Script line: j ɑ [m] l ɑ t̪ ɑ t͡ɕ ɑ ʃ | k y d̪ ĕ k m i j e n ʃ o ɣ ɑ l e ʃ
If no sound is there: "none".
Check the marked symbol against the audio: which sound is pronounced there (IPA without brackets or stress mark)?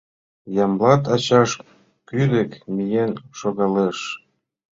m